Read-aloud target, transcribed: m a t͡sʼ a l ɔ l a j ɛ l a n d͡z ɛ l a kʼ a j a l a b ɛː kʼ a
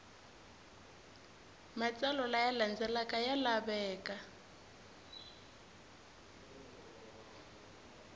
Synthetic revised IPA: m a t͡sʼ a l ɔ l a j a l a n d͡z ɛ l a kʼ a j a l a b ɛː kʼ a